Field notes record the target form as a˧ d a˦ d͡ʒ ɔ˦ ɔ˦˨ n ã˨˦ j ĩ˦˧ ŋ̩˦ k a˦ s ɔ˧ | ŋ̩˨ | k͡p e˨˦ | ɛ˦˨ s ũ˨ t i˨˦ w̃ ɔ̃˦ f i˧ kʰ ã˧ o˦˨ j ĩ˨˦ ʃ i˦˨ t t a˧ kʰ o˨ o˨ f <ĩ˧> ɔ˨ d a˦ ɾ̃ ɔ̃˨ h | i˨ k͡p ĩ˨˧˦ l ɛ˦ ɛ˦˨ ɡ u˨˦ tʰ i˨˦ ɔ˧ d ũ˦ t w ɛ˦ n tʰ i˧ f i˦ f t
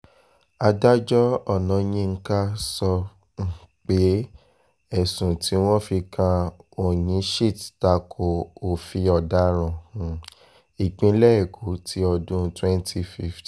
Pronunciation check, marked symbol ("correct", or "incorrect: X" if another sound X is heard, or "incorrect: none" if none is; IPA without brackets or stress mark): incorrect: i˧